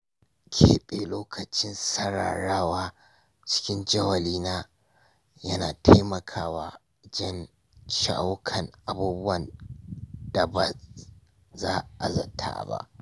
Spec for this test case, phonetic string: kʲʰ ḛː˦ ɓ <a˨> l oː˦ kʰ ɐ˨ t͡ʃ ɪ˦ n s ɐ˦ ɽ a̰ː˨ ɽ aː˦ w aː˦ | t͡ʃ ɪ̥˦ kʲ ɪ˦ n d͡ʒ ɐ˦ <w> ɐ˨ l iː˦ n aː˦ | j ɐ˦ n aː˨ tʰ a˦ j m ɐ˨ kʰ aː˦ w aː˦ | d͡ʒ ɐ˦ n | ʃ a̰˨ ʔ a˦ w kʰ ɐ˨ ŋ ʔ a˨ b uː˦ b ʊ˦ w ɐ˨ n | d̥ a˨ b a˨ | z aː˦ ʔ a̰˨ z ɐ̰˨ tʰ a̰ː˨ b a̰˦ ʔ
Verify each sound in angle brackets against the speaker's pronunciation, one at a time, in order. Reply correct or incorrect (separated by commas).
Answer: incorrect, correct